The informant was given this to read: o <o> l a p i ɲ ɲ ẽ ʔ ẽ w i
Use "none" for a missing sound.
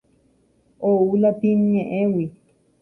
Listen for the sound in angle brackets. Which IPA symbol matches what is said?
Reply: u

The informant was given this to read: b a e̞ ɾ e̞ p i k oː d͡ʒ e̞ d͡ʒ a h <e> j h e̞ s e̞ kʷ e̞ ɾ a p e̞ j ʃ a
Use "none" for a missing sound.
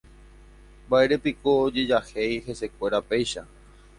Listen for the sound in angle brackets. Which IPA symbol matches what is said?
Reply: e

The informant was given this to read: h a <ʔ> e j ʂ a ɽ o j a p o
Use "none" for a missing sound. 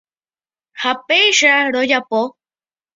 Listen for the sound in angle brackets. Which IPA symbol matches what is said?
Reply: p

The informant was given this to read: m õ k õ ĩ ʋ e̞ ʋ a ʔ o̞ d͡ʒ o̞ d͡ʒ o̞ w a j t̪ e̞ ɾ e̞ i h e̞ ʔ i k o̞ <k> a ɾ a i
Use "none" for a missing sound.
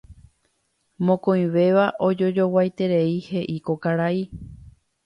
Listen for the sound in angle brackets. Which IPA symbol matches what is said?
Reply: k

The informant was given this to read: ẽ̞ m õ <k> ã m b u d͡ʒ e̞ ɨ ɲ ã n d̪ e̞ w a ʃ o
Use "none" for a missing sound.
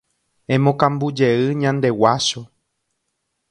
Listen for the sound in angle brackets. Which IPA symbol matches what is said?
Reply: k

